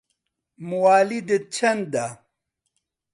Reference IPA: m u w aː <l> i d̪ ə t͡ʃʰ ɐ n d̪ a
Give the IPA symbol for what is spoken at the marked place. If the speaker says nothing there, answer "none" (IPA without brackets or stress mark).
l